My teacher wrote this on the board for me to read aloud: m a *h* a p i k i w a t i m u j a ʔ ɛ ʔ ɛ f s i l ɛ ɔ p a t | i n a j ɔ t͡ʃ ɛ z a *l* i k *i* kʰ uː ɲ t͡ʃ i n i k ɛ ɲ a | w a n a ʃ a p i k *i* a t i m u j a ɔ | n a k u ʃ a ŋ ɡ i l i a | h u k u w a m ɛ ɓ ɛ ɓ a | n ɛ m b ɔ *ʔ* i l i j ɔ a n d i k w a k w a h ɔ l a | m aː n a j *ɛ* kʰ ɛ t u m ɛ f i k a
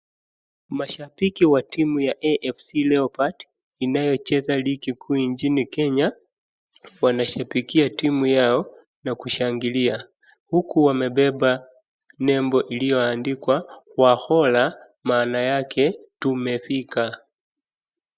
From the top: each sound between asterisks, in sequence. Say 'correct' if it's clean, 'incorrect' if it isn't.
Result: incorrect, correct, correct, correct, correct, incorrect

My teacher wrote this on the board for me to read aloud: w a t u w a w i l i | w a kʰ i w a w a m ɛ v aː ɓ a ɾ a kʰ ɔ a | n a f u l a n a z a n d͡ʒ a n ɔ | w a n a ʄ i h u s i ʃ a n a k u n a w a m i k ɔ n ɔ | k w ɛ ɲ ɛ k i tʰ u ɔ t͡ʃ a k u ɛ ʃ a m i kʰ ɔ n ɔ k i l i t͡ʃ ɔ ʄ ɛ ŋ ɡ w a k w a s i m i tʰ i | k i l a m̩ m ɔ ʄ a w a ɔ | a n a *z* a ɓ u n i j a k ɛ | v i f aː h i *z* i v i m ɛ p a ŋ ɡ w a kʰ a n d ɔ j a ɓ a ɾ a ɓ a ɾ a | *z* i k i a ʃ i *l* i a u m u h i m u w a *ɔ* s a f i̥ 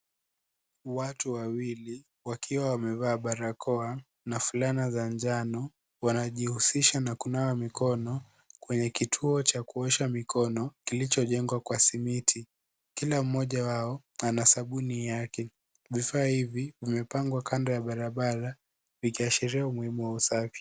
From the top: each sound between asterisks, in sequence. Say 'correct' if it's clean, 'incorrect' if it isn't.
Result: incorrect, incorrect, incorrect, incorrect, incorrect

